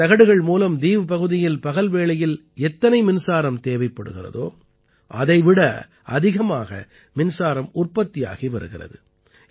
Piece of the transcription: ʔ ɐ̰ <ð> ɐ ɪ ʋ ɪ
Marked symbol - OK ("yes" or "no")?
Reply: yes